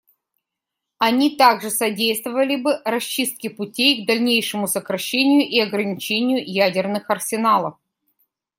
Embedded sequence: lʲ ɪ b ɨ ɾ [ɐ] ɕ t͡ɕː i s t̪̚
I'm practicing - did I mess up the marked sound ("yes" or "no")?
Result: no